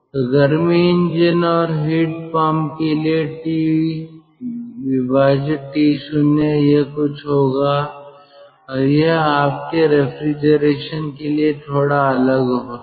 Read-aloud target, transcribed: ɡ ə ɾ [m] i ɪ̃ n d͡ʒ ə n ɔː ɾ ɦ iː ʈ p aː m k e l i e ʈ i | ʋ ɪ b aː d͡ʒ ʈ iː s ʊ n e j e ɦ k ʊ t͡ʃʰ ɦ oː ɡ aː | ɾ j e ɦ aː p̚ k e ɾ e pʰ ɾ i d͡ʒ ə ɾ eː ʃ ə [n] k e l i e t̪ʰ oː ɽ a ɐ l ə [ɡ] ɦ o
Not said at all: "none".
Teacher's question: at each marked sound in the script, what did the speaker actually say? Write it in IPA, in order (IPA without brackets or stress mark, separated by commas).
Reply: m, n, ɡ